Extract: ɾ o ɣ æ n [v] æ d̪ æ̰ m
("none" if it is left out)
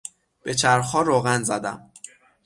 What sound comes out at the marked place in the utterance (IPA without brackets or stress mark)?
z